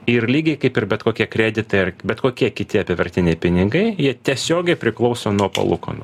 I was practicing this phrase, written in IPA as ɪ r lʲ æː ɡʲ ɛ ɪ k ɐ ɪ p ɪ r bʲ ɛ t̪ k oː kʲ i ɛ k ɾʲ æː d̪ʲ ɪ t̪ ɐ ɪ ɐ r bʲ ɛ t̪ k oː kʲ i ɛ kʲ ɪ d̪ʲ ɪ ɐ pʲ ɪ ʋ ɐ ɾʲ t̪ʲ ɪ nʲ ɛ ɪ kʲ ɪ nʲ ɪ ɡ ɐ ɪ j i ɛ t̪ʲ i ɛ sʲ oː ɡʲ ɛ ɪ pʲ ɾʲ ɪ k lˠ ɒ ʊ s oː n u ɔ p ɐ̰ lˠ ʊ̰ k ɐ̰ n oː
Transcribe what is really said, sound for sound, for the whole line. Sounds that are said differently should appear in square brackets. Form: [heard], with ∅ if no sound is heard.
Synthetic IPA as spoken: ɪ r lʲ [iː] ɡʲ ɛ ɪ k ɐ ɪ p ɪ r bʲ ɛ t̪ k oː kʲ i ɛ k ɾʲ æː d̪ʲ ɪ t̪ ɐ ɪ ɐ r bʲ ɛ t̪ k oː kʲ i ɛ kʲ ɪ [t̪ʲ] ɪ ɐ pʲ ɪ ʋ ɐ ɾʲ t̪ʲ ɪ nʲ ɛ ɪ [pʲ] ɪ nʲ ɪ ɡ ɐ ɪ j i ɛ t̪ʲ i ɛ sʲ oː ɡʲ ɛ ɪ pʲ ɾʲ ɪ k lˠ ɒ ʊ s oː n u ɔ p ɐ̰ lˠ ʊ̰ k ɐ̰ n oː

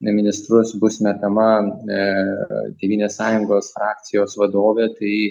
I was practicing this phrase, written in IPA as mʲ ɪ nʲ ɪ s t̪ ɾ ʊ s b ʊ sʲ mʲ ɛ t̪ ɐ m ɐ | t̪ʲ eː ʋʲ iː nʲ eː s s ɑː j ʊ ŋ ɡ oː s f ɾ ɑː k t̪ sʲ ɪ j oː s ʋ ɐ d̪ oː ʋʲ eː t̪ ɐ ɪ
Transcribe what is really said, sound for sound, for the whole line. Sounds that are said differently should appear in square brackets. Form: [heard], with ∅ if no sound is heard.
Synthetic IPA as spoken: mʲ ɪ nʲ ɪ s t̪ ɾ ʊ s b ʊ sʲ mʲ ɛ t̪ ɐ m ɐ | t̪ʲ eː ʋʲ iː nʲ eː s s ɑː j ʊ ŋ ɡ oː s f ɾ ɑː k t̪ sʲ ɪ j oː s ʋ ɐ d̪ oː ʋʲ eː t̪ ɐ ɪ

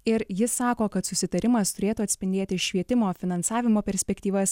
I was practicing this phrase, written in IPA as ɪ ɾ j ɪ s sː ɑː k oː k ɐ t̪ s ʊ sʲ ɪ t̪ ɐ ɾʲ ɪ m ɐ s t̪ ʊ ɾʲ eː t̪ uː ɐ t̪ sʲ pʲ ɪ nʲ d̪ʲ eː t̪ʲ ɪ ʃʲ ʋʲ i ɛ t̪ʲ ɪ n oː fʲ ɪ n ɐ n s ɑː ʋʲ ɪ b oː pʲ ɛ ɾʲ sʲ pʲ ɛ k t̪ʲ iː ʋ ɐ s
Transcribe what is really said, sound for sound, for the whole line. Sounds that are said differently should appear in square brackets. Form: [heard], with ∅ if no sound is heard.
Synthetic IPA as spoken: ɪ ɾ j ɪ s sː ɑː k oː k ɐ t̪ s ʊ sʲ ɪ t̪ ɐ ɾʲ ɪ m ɐ s t̪ ʊ ɾʲ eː t̪ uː ɐ t̪ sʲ pʲ ɪ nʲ d̪ʲ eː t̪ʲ ɪ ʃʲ ʋʲ i ɛ t̪ʲ ɪ [m] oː fʲ ɪ n ɐ n s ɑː ʋʲ ɪ [m] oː pʲ ɛ ɾʲ sʲ pʲ ɛ k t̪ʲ iː ʋ ɐ s

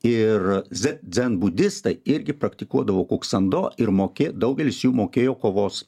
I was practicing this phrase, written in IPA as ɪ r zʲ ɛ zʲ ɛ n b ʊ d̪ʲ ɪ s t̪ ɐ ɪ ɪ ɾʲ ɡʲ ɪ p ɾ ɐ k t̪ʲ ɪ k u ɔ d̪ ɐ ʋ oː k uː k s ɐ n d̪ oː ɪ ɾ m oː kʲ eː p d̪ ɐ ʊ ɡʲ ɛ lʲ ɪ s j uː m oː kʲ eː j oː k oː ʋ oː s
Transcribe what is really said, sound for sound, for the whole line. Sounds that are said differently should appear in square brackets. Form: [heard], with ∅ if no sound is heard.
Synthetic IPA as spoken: ɪ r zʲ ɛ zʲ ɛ n b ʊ d̪ʲ ɪ s t̪ ɐ ɪ ɪ ɾʲ ɡʲ ɪ p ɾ ɐ k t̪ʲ ɪ k u ɔ d̪ ɐ ʋ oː k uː k s ɐ n d̪ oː ɪ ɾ m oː kʲ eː [∅] d̪ ɐ ʊ ɡʲ ɛ lʲ ɪ s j uː m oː kʲ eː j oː k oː ʋ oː s

